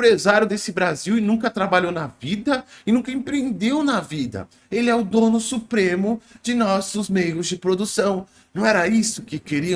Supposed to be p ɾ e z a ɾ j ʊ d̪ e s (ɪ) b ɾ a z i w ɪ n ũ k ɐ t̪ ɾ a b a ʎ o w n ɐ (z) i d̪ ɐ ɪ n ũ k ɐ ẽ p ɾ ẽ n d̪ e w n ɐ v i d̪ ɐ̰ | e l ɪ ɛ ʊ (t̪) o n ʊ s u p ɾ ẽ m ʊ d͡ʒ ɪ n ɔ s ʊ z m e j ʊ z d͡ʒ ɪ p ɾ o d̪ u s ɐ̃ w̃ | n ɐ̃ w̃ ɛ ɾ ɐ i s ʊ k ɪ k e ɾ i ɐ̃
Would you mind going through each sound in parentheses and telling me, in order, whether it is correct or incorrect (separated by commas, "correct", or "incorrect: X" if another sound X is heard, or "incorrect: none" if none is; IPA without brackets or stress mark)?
correct, incorrect: v, incorrect: d̪